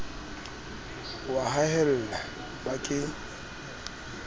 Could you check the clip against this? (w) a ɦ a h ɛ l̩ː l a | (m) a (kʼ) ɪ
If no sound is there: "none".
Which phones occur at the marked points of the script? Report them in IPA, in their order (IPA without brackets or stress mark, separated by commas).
w, b, kʼ